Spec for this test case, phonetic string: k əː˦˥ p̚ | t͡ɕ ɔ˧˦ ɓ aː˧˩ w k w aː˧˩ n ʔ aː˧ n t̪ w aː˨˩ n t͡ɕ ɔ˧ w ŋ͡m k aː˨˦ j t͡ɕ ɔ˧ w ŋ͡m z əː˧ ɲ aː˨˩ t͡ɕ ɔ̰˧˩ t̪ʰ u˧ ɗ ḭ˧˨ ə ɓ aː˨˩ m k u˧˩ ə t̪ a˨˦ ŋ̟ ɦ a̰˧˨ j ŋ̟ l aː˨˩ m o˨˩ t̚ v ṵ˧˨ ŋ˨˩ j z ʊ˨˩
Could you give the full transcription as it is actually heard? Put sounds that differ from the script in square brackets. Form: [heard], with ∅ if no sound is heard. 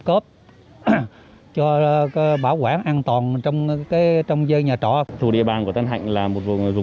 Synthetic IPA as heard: k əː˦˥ p̚ | t͡ɕ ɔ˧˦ ɓ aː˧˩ w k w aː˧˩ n ʔ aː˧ n t̪ w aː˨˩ n t͡ɕ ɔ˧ w ŋ͡m k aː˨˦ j t͡ɕ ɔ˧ w ŋ͡m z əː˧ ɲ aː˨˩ t͡ɕ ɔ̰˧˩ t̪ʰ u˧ ɗ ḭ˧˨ ə ɓ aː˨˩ [n] k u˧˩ ə t̪ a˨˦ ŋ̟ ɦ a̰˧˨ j ŋ̟ l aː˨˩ m o˨˩ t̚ v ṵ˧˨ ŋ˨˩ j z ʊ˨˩